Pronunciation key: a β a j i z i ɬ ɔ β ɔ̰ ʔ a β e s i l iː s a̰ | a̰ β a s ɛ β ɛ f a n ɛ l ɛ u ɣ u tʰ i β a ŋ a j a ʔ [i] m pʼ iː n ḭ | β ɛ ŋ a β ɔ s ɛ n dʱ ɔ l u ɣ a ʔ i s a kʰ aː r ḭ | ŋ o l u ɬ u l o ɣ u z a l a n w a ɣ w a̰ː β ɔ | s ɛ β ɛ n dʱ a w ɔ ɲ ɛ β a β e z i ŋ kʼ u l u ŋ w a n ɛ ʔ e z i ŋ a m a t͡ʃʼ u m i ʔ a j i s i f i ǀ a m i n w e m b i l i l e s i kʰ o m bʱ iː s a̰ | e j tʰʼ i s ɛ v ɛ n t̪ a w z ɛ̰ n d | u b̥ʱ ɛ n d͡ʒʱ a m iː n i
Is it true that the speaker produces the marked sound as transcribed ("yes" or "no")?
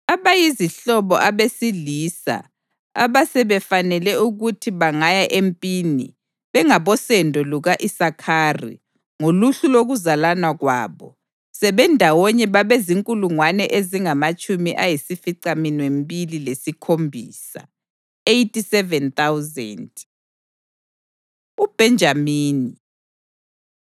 no